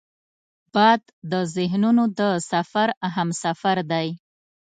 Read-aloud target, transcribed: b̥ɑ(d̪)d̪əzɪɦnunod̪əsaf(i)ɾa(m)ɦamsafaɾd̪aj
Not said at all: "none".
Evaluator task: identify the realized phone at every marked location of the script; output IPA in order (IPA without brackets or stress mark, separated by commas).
d̪, a, none